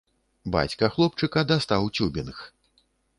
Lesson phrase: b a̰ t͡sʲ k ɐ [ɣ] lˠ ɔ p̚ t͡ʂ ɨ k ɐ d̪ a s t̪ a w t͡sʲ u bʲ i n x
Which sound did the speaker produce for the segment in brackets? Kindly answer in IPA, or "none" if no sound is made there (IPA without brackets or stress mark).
x